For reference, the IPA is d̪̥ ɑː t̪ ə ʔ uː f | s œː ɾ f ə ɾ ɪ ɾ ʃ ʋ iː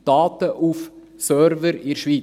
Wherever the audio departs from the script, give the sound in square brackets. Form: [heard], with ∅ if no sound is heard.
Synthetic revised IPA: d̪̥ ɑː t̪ ə ʔ [u] f | s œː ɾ [v] ə ɾ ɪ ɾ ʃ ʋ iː

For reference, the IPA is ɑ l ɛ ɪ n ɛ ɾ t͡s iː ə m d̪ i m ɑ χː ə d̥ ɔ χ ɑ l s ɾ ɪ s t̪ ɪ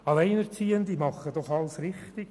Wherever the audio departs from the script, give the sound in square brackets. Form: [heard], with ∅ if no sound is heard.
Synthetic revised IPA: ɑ l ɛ ɪ n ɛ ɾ t͡s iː ə [n] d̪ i m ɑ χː ə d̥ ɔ χ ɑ l s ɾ ɪ [χ] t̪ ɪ

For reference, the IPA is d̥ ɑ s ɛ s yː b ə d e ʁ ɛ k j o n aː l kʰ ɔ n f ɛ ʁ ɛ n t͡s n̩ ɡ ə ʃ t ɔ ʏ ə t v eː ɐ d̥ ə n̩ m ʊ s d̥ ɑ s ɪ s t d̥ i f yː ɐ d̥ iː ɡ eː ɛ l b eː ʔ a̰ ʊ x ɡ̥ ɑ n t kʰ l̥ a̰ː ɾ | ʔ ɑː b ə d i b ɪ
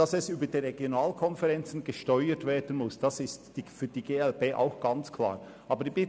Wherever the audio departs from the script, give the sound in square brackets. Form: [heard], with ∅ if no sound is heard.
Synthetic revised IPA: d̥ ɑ s ɛ s yː b ə d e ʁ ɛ [ɡ] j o n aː l kʰ ɔ n f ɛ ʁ ɛ n t͡s n̩ ɡ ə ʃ t ɔ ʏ ə t v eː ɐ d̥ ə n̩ m ʊ s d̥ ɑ s ɪ s t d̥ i f yː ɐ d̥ iː ɡ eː ɛ l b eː ʔ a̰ ʊ x ɡ̥ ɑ n [t͡s] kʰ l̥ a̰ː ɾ | ʔ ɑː b ə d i b ɪ

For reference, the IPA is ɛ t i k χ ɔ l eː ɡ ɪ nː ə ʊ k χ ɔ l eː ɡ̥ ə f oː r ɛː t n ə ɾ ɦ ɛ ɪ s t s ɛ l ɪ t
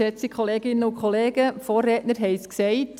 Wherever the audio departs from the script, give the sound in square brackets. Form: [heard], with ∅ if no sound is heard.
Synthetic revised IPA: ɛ [t͡s] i k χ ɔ l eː ɡ ɪ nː ə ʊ k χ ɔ l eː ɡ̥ ə f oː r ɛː t n ə ɾ ɦ ɛ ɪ s [k] s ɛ [∅] ɪ t

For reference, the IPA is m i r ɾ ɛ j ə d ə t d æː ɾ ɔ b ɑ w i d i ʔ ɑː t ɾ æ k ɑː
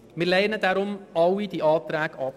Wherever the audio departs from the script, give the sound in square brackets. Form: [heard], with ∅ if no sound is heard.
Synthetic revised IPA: m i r [l] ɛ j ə [n] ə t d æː ɾ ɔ [m] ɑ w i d i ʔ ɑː t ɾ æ k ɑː

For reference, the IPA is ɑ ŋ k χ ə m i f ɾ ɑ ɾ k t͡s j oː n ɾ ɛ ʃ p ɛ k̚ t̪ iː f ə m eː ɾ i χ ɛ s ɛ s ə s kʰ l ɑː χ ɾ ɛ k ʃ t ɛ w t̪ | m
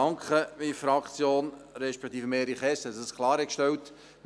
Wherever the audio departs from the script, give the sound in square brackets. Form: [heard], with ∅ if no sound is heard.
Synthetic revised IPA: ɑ ŋ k χ ə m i f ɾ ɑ [∅] k t͡s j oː n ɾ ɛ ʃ p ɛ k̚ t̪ iː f ə m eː ɾ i χ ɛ s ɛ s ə s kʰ l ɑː [∅] ɾ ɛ k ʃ t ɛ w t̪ | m

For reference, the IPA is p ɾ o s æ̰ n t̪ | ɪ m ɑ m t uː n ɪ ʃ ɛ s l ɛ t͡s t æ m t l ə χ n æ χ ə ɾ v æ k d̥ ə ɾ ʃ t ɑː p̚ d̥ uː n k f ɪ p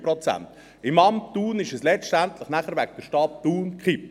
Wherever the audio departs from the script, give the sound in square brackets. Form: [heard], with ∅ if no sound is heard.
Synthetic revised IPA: p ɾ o [t͡s] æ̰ n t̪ | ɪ m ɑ m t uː n ɪ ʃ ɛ s l ɛ t͡s t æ [n] t l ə χ n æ χ ə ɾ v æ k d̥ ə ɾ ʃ t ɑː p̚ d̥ uː n k [χ] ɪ p

